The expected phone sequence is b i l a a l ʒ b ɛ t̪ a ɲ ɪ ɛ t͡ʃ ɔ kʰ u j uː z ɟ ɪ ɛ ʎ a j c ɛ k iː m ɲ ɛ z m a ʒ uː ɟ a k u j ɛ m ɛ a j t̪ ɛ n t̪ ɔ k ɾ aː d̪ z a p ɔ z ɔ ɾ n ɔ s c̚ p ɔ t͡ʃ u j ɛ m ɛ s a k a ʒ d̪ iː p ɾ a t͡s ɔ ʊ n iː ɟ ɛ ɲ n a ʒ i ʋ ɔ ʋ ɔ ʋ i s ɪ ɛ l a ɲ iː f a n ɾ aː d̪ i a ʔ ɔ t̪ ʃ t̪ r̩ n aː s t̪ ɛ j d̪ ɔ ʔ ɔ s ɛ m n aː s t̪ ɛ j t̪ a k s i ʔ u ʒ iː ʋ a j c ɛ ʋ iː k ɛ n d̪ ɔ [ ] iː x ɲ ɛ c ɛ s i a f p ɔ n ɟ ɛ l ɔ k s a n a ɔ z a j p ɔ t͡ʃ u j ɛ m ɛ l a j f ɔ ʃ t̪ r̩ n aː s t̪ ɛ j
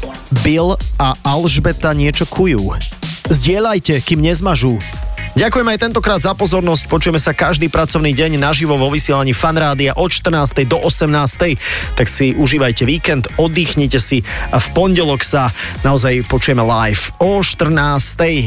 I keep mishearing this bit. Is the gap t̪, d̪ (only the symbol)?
d̪